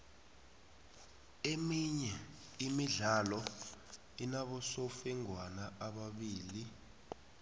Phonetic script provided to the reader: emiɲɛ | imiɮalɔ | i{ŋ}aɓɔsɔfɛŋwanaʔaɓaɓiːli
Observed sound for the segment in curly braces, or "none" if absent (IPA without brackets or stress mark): n